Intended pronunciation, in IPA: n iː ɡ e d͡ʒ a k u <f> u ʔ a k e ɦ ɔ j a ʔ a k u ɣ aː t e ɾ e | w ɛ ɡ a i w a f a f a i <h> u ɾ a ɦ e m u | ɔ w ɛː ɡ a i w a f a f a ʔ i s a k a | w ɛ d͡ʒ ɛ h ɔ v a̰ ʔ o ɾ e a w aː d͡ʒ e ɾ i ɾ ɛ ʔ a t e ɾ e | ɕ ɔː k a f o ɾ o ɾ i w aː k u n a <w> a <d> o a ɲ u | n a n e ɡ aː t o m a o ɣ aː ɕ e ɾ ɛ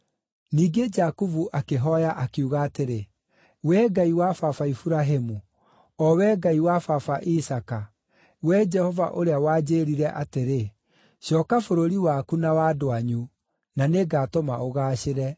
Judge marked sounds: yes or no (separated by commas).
no, no, yes, yes